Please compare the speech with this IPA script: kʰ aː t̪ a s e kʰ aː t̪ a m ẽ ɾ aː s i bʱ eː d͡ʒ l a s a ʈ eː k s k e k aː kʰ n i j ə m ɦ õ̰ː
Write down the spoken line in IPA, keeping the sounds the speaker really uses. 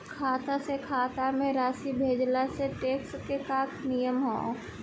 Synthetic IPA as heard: kʰ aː t̪ a s e kʰ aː t̪ a m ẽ ɾ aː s i bʱ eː d͡ʒ l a s e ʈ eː k s k e k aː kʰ n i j ə m ɦ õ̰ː